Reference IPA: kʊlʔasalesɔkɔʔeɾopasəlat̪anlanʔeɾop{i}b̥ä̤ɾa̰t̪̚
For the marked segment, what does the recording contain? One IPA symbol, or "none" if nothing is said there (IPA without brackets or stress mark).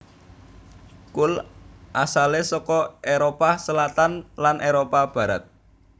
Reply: a